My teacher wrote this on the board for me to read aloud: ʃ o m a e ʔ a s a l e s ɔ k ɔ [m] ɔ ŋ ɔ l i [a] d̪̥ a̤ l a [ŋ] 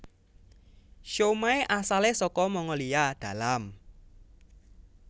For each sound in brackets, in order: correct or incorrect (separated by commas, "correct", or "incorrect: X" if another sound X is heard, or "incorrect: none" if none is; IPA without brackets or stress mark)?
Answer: correct, correct, incorrect: m